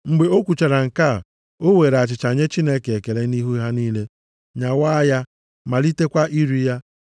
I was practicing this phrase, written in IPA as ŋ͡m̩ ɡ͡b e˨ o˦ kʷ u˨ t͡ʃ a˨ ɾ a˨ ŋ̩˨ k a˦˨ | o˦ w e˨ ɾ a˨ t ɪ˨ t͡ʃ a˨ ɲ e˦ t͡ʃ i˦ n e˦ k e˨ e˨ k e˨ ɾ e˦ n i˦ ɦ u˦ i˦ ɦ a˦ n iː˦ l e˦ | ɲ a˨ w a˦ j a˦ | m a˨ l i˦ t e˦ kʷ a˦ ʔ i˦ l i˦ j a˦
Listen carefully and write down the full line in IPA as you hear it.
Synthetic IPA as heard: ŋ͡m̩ ɡ͡b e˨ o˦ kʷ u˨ t͡ʃ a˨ ɾ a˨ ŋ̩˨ k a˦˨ | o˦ w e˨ ɾ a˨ t͡ʃ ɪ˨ t͡ʃ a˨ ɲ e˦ t͡ʃ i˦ n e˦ k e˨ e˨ k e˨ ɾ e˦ n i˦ ɦ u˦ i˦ ɦ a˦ n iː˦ l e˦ | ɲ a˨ w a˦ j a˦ | m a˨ l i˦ t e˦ kʷ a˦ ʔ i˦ ɾ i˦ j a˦